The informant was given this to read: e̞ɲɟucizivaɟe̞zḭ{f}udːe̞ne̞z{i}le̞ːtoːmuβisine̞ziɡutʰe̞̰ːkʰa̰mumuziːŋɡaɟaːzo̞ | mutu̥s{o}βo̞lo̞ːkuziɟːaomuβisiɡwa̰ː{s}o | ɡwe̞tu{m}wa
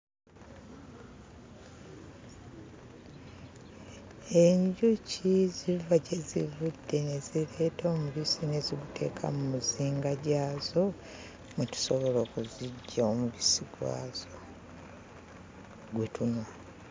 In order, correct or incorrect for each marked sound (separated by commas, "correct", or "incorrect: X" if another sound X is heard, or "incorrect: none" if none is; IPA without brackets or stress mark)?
incorrect: v, correct, correct, incorrect: z, incorrect: n